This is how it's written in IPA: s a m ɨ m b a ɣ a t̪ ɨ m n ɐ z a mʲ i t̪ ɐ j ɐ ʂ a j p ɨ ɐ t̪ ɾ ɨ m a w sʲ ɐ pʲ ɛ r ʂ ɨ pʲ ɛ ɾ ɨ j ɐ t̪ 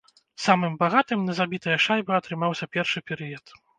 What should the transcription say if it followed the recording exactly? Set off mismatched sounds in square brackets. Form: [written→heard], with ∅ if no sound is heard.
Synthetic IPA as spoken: s a m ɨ m b a ɣ a t̪ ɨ m n ɐ z a [mʲ→bʲ] i t̪ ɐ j ɐ ʂ a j [p→b] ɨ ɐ t̪ ɾ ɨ m a w sʲ ɐ pʲ ɛ r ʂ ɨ pʲ ɛ ɾ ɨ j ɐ t̪